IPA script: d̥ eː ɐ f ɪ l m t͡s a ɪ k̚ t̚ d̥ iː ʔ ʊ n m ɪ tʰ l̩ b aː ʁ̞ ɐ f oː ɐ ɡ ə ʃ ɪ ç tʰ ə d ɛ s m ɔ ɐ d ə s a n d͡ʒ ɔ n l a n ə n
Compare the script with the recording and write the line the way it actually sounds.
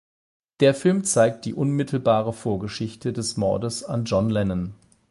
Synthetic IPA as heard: d̥ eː ɐ f ɪ l m t͡s a ɪ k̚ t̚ d̥ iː ʔ ʊ n m ɪ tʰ l̩ b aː ʁ̞ ə f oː ɐ ɡ ə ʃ ɪ ç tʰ ə d ɛ s m ɔ ɐ d ə s a n d͡ʒ ɔ n l ɛ n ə n

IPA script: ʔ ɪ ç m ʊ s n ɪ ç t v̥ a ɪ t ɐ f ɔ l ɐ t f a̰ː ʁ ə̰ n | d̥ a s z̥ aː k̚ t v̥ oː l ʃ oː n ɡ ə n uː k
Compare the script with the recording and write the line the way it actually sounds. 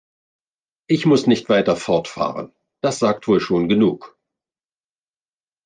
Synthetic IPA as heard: ʔ ɪ ç m ʊ s n ɪ ç t v̥ a ɪ t ɐ f ɔ ɐ t f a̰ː ʁ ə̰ n | d̥ a s z̥ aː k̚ t v̥ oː l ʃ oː n ɡ ə n uː k

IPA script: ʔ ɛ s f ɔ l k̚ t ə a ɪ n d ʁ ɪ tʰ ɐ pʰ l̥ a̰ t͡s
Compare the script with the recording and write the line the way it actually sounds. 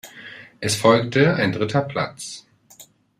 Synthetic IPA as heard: ʔ ɛ s f ɔ l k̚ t ə a ɪ n d ʁ ɪ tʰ ɐ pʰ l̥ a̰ t͡s

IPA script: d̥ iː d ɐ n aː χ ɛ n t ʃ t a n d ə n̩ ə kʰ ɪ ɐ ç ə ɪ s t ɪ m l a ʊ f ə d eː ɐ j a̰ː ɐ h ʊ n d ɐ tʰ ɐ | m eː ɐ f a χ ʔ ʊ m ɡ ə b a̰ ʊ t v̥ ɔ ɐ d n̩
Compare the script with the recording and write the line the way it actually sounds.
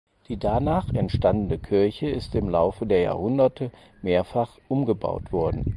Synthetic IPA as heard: d̥ iː d a n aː χ ɛ n t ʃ t a n d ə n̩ ə kʰ ɪ ɐ ç ə ɪ s t ɪ m l a ʊ f ə d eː ɐ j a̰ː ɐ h ʊ n d ɐ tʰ ə | m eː ɐ f a χ ʔ ʊ m ɡ ə b a̰ ʊ t v̥ ɔ ɐ d n̩

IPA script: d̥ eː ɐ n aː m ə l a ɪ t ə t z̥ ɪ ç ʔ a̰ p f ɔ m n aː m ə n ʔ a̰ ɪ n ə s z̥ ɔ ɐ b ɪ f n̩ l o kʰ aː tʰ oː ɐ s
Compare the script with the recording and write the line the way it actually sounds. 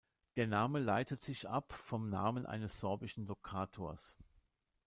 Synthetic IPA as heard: d̥ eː ɐ n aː m ə l a ɪ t ə t z̥ ɪ ç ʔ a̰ p f ɔ m n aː m ə n ʔ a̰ ɪ n ə s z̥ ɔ ɐ b ɪ ʃ n̩ l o kʰ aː tʰ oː ɐ s

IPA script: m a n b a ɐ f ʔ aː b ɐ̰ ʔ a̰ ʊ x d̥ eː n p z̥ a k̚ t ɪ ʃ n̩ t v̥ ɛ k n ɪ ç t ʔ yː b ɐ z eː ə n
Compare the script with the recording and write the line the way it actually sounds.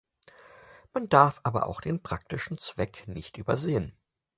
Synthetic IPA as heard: m a n d a ɐ f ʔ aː b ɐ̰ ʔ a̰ ʊ x d̥ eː n p ʁ̥ a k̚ t ɪ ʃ n̩ t͡s v̥ ɛ k n ɪ ç t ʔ yː b ɐ z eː ə n

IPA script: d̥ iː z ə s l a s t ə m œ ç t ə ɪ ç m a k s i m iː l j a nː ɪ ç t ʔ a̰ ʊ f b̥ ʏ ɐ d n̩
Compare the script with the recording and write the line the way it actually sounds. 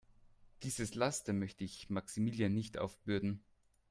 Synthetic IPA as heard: d̥ iː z ə s l a s t ə m œ ç t ə ɪ ç m a k s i m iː l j a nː ɪ ç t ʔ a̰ ʊ f b̥ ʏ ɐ d n̩

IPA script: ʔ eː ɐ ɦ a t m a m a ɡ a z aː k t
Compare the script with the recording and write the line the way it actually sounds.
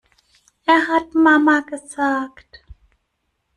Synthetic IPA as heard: ʔ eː ɐ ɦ a t m a m a ɡ ə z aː k t

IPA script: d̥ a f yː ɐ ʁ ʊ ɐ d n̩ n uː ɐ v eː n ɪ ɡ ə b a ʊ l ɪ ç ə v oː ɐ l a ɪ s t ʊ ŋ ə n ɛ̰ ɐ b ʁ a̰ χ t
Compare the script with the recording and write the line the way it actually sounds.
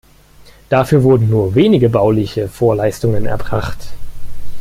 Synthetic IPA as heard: d̥ a f yː ɐ v ʊ ɐ d n̩ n uː ɐ v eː n ɪ ɡ ə b a ʊ l ɪ ç ə f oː ɐ l a ɪ s t ʊ ŋ ə n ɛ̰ ɐ b ʁ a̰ χ t

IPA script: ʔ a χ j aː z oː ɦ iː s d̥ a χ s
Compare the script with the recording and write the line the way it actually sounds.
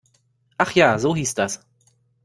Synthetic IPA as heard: ʔ a χ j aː z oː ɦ iː s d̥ a s

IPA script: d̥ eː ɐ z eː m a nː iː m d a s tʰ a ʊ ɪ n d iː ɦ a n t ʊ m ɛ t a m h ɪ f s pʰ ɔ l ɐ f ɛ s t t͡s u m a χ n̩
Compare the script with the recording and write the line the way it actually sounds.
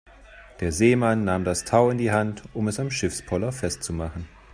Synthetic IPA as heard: d̥ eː ɐ z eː m a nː aː m d a s tʰ a ʊ ɪ n d iː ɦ a n t ʊ m ɛ s a m ʃ ɪ f s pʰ ɔ l ɐ f ɛ s t t͡s u m a χ n̩

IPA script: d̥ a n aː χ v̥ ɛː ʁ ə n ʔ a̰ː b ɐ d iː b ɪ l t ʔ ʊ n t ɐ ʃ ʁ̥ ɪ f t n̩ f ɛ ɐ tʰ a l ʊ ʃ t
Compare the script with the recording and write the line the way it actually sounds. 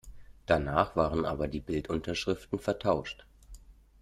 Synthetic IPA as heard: d̥ a n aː χ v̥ aː ʁ ə n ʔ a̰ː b ɐ d iː b ɪ l t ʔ ʊ n t ɐ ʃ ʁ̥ ɪ f t n̩ f ɛ ɐ tʰ a ʊ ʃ t

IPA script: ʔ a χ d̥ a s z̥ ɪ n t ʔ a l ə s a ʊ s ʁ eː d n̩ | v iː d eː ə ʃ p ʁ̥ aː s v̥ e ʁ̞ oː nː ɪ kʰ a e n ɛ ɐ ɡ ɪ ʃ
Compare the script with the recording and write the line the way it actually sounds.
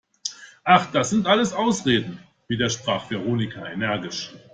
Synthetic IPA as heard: ʔ a χ d̥ a s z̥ ɪ n t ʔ a l ə s a ʊ s ʁ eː d n̩ | v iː d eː ɐ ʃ p ʁ̥ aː χ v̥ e ʁ̞ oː n ɪ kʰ a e n ɛ ɐ ɡ ɪ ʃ

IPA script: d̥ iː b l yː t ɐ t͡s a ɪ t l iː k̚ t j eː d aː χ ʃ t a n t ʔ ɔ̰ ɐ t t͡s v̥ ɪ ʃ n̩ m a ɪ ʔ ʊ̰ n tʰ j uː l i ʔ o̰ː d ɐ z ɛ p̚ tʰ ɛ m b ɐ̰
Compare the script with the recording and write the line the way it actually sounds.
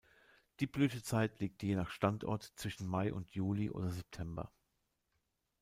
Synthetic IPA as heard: d̥ iː b l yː t ə t͡s a ɪ t l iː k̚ t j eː n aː χ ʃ t a n t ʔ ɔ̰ ɐ t t͡s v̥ ɪ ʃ n̩ m a ɪ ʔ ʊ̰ n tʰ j uː l i ʔ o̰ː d ɐ z ɛ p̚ tʰ ɛ m b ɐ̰

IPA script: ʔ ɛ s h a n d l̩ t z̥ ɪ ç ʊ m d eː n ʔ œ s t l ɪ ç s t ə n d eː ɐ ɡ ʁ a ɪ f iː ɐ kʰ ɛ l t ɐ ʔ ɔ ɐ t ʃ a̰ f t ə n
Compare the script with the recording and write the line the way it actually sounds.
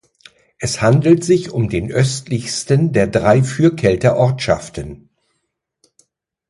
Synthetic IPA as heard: ʔ ɛ s h a n d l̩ t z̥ ɪ ç ʊ m d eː n ʔ œ s t l ɪ ç s t ə n d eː ɐ d ʁ a ɪ f yː ɐ kʰ ɛ l t ɐ ʔ ɔ ɐ t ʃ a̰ f t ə n

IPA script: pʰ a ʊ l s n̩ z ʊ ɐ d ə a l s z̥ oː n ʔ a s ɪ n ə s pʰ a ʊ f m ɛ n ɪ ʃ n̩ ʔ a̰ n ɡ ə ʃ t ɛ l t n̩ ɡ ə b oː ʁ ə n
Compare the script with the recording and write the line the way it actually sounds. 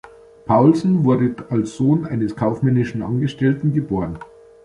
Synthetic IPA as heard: pʰ a ʊ l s n̩ v ʊ ɐ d ə a l s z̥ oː n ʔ a ɪ n ə s kʰ a ʊ f m ɛ n ɪ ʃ n̩ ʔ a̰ n ɡ ə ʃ t ɛ l t n̩ ɡ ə b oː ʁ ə n

